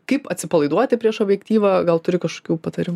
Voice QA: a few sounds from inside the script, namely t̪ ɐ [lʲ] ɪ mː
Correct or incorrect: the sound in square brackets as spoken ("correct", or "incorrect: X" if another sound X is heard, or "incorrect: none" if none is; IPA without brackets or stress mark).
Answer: incorrect: ɾʲ